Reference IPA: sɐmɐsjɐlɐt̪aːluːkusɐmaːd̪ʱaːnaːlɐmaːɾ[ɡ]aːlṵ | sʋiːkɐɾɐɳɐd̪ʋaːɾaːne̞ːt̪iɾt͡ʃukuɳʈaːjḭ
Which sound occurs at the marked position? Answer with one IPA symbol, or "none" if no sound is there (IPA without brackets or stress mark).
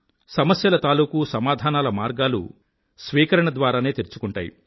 ɡ